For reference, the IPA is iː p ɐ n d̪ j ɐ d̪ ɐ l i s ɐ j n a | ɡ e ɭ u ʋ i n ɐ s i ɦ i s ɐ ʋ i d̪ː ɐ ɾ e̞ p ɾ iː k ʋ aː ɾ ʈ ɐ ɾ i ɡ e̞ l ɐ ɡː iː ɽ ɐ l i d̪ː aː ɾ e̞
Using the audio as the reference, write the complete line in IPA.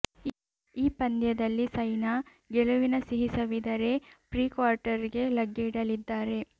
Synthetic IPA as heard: iː p ɐ n d̪ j ɐ d̪ ɐ lː i s ɐ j n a | ɡ e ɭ u ʋ i n ɐ s i ɦ i s ɐ ʋ i d̪ ɐ ɾ e̞ p ɾ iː k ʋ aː ɾ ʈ ɐ ɾ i ɡ e̞ l ɐ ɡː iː ɽ ɐ l i d̪ː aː ɾ e̞

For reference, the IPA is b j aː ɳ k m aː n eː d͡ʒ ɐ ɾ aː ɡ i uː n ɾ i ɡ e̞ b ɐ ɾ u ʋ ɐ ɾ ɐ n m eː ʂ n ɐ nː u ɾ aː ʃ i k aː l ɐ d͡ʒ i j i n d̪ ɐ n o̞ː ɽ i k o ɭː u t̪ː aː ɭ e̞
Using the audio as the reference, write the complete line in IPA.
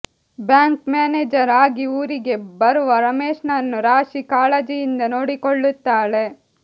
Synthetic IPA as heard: b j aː ŋ k m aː n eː d͡ʒ ɐ ɾ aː ɡ i uː ɾ i ɡ e̞ b ɐ ɾ u ʋ ɐ ɾ ɐ m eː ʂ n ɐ nː u ɾ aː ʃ i k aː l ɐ d͡ʒ i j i n d̪ ɐ n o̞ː ɽ i k o ɭː u t̪ː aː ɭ e̞

